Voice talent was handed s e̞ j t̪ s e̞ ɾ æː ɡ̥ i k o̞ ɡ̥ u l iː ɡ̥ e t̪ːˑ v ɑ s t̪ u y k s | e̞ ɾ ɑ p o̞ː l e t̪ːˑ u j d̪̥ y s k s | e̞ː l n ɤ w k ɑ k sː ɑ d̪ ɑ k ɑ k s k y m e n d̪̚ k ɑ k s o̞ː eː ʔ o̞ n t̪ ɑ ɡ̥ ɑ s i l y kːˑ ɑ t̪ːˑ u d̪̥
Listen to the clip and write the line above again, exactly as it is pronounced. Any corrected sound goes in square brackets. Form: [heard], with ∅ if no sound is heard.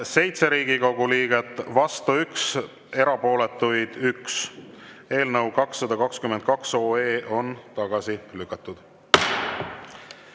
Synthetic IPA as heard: s e̞ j t̪ s e̞ ɾ [iː] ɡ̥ i k o̞ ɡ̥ u l iː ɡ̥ e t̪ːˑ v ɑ s t̪ u y k s | e̞ ɾ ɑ p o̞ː l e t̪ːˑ u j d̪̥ y [∅] k s | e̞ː l n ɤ w k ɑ k sː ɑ d̪ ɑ k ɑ k s k y m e n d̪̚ k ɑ k s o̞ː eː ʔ o̞ n t̪ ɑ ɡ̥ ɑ s i l y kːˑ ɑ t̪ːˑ u d̪̥